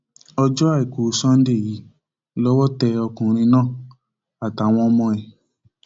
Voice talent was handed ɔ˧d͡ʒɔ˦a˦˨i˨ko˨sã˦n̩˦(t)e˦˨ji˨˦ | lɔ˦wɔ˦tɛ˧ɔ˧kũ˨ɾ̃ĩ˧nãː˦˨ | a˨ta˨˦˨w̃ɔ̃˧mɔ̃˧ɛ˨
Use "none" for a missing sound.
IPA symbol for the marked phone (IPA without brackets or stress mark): d